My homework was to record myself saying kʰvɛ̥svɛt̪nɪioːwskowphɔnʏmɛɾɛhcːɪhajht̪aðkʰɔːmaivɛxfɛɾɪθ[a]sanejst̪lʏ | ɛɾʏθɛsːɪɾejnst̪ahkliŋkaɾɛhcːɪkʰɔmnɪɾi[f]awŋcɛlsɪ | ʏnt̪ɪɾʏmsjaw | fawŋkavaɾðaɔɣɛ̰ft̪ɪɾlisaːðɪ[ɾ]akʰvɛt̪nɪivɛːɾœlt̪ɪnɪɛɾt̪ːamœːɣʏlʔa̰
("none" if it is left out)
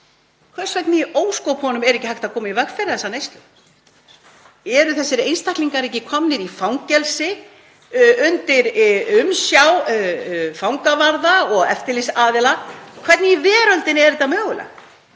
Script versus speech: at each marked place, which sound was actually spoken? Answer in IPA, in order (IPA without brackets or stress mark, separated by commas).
ɛ, f, l